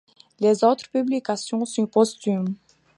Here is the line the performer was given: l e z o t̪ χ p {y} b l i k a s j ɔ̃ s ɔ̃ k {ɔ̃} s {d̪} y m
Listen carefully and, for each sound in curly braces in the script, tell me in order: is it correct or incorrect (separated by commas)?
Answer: correct, incorrect, incorrect